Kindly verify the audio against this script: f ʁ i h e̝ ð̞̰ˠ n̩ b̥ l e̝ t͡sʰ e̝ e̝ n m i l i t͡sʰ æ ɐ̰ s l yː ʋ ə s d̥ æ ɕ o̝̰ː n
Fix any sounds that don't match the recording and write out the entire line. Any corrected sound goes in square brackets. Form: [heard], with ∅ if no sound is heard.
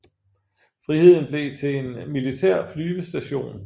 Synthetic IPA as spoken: f ʁ i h e̝ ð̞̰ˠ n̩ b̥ l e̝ t͡sʰ e̝ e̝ n m i l i t͡sʰ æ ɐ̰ [f] l yː ʋ ə s d̥ æ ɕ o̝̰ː n